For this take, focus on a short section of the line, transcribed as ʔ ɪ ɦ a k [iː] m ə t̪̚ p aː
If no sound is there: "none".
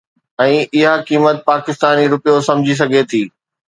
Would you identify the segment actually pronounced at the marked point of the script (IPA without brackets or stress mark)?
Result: iː